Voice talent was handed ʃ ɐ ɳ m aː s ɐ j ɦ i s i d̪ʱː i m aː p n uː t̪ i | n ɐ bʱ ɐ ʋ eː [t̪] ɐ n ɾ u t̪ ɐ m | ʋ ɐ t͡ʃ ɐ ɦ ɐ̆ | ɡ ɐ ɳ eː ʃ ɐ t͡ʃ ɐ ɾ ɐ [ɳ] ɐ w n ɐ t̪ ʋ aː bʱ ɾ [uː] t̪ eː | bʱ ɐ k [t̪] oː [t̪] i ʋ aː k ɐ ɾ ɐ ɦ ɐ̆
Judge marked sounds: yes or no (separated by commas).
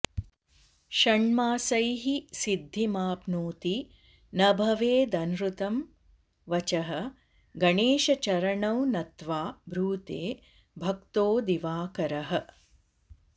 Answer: no, yes, yes, yes, no